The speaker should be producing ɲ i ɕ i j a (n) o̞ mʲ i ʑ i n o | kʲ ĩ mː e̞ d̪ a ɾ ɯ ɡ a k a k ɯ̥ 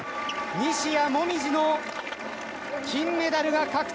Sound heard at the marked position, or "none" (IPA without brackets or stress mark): m